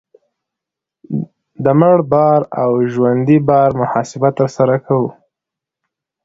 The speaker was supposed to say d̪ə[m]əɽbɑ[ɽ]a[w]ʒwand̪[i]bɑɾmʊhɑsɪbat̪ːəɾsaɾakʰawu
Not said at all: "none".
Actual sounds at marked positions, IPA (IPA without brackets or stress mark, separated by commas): m, ɾ, w, i